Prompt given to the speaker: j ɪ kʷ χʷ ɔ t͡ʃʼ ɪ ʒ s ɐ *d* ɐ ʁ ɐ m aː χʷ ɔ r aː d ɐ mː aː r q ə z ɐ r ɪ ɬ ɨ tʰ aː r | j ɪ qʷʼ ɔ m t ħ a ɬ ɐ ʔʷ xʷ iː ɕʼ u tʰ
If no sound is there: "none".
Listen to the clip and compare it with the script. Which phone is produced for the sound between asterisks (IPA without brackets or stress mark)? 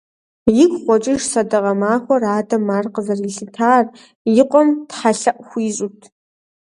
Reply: d